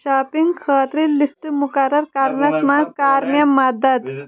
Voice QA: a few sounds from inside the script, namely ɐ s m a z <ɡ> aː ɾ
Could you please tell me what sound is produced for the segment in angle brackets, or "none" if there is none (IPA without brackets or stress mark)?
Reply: k